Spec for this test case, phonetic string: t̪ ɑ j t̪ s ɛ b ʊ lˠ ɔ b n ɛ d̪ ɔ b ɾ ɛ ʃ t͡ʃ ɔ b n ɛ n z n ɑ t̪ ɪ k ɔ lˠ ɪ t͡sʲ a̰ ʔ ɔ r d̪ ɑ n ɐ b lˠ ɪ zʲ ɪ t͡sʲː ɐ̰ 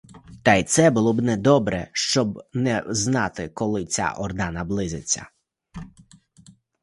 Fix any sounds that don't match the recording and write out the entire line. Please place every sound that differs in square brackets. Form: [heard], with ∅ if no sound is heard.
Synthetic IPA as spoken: t̪ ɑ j t̪ s ɛ b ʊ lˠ ɔ b n ɛ d̪ ɔ b ɾ ɛ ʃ t͡ʃ ɔ b n ɛ [∅] z n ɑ t̪ ɪ k ɔ lˠ ɪ t͡sʲ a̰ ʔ ɔ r d̪ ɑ n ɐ b lˠ ɪ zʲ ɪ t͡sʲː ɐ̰